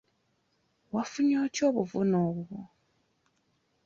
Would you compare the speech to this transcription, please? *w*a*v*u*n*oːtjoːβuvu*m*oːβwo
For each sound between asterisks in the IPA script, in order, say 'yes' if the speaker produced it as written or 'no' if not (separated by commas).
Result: yes, no, no, no